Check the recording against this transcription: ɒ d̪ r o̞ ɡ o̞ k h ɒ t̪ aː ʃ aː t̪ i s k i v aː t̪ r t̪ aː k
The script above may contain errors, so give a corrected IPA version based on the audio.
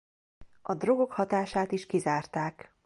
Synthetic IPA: ɒ d̪ r o̞ ɡ o̞ k h ɒ t̪ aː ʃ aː t̪ i ʃ k i z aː r t̪ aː k